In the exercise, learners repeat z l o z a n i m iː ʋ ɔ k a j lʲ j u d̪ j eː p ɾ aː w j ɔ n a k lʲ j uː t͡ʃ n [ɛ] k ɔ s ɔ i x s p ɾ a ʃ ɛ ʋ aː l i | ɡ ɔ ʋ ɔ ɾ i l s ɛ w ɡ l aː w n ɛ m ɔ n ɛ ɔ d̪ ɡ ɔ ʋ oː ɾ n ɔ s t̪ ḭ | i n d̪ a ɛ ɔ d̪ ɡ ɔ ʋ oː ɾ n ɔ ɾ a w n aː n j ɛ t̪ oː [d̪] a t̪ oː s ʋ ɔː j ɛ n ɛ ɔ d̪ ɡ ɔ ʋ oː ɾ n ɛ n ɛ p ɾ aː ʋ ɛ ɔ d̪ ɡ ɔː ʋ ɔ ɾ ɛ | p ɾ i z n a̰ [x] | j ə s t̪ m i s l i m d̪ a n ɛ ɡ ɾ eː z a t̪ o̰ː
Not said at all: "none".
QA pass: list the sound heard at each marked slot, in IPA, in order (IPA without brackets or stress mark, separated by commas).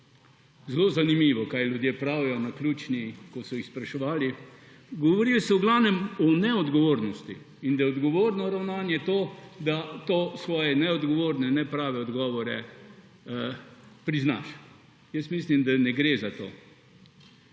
i, d̪, ʃ